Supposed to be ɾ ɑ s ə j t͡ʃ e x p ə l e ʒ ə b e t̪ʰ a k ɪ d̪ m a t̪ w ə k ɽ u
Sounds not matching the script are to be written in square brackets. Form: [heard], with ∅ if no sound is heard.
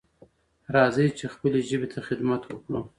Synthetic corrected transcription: ɾ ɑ [z] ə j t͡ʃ e x p ə l e ʒ ə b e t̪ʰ a [x] ɪ d̪ m a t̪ w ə k ɽ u